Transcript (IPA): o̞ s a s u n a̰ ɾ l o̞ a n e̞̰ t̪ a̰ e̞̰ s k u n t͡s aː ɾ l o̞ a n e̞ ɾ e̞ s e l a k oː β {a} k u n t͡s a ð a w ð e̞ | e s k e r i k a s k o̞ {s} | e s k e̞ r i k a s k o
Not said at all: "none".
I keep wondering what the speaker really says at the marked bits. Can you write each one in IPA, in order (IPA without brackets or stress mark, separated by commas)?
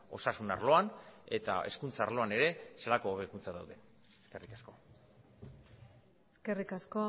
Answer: e, none